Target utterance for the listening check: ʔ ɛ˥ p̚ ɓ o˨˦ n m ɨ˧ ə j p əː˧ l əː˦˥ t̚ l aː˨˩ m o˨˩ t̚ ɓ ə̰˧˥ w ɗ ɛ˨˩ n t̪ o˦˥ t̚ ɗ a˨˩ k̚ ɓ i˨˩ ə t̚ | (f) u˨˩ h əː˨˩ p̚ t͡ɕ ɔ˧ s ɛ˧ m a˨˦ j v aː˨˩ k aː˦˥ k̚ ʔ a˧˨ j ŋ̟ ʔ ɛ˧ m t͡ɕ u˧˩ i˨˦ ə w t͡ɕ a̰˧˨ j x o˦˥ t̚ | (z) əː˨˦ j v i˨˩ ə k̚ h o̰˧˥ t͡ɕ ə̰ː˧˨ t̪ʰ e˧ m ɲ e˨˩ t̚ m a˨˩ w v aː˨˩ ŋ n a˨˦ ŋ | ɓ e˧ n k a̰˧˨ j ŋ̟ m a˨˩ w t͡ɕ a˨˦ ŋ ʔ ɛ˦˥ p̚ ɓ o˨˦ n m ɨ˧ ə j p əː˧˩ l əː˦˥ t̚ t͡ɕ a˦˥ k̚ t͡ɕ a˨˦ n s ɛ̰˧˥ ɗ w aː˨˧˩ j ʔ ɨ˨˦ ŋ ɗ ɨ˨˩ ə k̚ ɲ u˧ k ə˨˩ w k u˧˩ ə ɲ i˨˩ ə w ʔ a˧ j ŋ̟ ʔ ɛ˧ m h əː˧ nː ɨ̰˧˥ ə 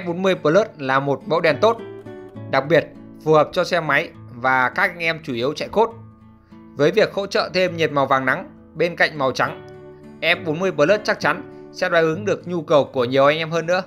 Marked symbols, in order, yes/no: yes, no

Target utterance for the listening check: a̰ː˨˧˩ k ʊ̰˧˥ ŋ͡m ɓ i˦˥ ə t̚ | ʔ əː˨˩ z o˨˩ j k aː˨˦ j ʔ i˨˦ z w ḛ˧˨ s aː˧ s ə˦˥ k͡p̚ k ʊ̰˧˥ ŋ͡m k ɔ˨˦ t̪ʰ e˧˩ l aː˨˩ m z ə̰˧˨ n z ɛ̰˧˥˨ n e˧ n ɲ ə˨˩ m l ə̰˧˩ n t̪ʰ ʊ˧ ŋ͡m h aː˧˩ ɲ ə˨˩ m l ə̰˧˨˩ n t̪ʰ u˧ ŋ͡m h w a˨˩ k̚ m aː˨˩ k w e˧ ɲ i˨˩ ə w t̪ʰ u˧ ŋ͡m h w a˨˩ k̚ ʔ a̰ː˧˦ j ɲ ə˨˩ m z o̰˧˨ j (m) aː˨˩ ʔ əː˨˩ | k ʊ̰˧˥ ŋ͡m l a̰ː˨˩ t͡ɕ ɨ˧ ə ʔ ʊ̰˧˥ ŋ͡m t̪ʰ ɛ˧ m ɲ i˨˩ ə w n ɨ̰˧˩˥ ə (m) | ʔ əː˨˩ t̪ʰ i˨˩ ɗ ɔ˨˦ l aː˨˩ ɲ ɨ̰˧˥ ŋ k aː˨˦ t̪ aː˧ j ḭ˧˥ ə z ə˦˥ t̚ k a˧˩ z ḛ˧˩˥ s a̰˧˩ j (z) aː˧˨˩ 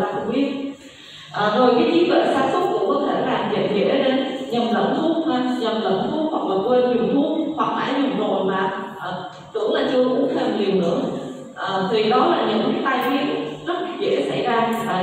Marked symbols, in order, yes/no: yes, no, yes

